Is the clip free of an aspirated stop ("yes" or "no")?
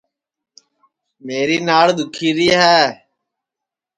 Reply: no